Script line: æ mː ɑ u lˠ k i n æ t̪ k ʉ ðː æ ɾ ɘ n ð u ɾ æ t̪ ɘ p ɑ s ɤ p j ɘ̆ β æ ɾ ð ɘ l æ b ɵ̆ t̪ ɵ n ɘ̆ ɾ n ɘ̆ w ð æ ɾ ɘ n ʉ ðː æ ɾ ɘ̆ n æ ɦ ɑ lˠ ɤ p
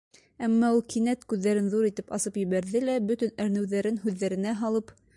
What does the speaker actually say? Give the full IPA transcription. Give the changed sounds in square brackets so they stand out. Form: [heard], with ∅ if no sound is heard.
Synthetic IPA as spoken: æ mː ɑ u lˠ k i n æ t̪ k ʉ ðː æ ɾ ɘ n ð u ɾ [i] t̪ ɘ p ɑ s ɤ p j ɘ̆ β æ ɾ ð ɘ l æ b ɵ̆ t̪ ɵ n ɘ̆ ɾ n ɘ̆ w ð æ ɾ ɘ n ʉ ðː æ ɾ ɘ̆ n æ ɦ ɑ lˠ ɤ p